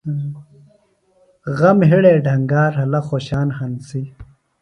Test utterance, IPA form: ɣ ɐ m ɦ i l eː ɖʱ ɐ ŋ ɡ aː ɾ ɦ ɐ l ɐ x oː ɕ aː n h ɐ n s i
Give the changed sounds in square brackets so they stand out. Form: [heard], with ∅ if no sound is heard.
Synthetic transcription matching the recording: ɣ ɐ m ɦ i [ɽ] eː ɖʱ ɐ ŋ ɡ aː ɾ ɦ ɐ l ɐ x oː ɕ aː n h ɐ n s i